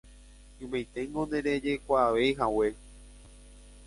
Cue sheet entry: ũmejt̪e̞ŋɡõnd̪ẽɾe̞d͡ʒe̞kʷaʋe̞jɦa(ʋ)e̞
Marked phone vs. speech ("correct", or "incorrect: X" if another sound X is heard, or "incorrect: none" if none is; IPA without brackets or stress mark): incorrect: w